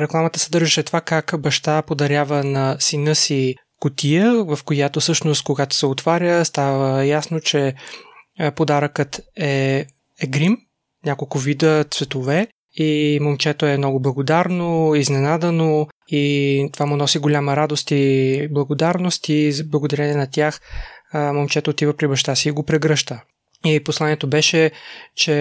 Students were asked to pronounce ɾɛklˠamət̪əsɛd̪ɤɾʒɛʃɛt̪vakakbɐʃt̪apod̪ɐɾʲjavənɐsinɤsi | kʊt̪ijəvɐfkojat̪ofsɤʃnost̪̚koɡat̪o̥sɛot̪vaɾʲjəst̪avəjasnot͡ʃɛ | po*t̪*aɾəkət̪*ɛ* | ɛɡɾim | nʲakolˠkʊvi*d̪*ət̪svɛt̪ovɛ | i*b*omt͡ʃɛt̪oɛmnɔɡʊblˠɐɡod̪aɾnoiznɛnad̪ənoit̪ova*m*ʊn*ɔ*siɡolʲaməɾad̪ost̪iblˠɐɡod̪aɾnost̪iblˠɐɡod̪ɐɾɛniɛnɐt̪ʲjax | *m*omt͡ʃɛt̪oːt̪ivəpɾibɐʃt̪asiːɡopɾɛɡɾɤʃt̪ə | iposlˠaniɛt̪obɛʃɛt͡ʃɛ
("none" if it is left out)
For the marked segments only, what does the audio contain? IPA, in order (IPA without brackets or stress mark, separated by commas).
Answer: d̪, ɛ, d̪, m, m, ɔ, m